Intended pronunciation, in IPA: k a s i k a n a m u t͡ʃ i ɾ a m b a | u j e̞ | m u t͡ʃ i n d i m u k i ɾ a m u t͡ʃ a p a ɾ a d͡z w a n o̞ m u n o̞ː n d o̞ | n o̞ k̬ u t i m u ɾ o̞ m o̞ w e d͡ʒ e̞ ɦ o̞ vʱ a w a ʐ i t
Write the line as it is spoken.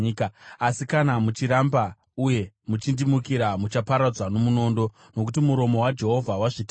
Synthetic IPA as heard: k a s i k a n a m u t͡ʃ i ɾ a m b a | u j e̞ | m u t͡ʃ i n d i m u k i ɾ a m u t͡ʃ a p a ɾ a d͡z w a n o̞ m u n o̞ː n d o̞ | n o̞ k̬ u t i m u ɾ o̞ m o̞ w a d͡ʒ e̞ ɦ o̞ vʱ a w a ʐ i t

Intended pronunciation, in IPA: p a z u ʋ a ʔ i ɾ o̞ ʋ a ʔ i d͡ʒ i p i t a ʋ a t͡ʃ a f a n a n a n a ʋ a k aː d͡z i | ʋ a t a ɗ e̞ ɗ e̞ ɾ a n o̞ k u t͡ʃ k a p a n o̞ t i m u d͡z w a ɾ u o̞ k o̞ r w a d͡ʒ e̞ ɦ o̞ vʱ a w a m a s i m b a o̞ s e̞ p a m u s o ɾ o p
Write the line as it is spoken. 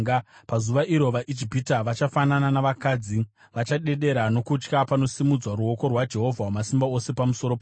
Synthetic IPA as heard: p a z u ʋ a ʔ i ɾ o̞ ʋ a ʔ i d͡ʒ i p i t a ʋ a t͡ʃ a f a n a n a n a ʋ a k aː d͡z i | ʋ a t͡ʃ a ɗ e̞ ɗ e̞ ɾ a n o̞ k u t͡ʃ k a p a n o̞ s i m u d͡z w a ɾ u o̞ k o̞ r w a d͡ʒ e̞ ɦ o̞ vʱ a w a m a s i m b a o̞ s e̞ p a m u s o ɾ o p

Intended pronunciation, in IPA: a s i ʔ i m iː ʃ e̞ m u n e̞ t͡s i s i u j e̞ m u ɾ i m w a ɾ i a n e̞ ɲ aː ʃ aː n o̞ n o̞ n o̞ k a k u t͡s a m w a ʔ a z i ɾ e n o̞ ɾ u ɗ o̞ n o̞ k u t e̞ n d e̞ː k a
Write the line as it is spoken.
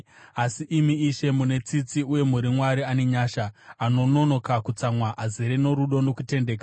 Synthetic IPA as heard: a s i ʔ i m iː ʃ e̞ m u n e̞ t͡s i t͡s i u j e̞ m u ɾ i m w a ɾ i a n e̞ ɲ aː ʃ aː n o̞ n o̞ n o̞ k a k u t͡s a m w a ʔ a z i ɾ e n o̞ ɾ u ɗ o̞ n o̞ k u t e̞ n d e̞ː k a

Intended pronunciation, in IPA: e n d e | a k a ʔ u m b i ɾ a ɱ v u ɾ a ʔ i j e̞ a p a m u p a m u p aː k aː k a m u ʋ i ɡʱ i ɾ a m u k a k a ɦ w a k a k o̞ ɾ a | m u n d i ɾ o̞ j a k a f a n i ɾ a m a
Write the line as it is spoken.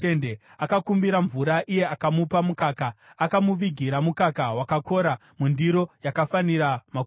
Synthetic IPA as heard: e n d e | a k a k u m b i ɾ a ɱ v u ɾ a ʔ i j e̞ a k a m u p a m u k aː k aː k a m u ʋ i ɡʱ i ɾ a m u k a k a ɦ w a k a k o̞ ɾ a | m u n d i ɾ o̞ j a k a f a n i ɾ a m a

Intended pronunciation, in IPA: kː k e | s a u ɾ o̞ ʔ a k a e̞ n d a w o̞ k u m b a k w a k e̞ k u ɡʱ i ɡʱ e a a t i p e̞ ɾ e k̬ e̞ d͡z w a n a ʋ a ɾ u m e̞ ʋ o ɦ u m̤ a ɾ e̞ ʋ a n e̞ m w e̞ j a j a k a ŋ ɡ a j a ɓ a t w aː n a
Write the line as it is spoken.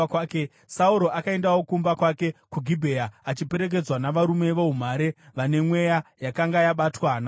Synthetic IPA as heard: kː k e | s a u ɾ o̞ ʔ a k a e̞ n d a w o̞ k u m b a k w a k e̞ k u ɡʱ i bʱ e a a t͡ʃ i p e̞ ɾ e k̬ e̞ d͡z w a n a ʋ a ɾ u m e̞ ʋ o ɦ u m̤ a ɾ e̞ ʋ a n e̞ m w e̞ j a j a k a ŋ ɡ a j a ɓ a t w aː n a

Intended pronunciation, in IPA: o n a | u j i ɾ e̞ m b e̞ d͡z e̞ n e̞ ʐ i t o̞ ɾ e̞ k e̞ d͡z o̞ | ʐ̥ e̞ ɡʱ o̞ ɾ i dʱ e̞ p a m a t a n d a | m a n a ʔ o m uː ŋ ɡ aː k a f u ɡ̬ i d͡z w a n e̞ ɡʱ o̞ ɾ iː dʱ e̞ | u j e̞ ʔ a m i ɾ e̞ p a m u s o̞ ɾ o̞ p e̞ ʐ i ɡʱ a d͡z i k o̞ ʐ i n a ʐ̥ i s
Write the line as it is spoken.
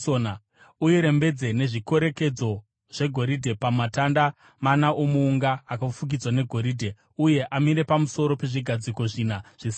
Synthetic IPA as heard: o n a | u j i ɾ e̞ m b e̞ d͡z e̞ n e̞ ʐ i k o̞ ɾ e̞ k e̞ d͡z o̞ | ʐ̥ e̞ ɡʱ o̞ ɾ i dʱ e̞ p a m a t a n d a | m a n a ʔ o m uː ŋ ɡ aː k a f u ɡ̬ i d͡z w a n e̞ ɡʱ o̞ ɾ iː dʱ e̞ | u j e̞ ʔ a m i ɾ e̞ p a m u s o̞ ɾ o̞ p e̞ ʐ i ɡʱ a d͡z i k o̞ ʐ i n a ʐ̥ i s

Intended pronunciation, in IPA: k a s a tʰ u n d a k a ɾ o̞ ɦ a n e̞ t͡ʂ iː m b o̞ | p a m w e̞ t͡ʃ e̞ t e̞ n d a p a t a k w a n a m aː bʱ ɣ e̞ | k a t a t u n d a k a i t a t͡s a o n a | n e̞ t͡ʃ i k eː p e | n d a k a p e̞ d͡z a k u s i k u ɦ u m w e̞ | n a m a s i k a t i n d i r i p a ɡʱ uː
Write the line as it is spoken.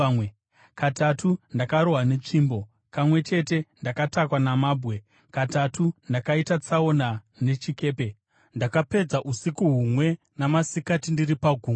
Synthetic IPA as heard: k a t a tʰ u n d a k a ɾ o̞ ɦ a n e̞ t͡ʂ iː m b o̞ | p a m w e̞ t͡ʃ e̞ t e̞ n d a k a t a k w a n a m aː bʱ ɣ e̞ | k a t a t u n d a k a i t a t͡s a o n a | n e̞ t͡ʃ i k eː p e | n d a k a p e̞ d͡z a ʔ u s i k u ɦ u m w e̞ | n a m a s i k a t i n d i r i p a ɡʱ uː

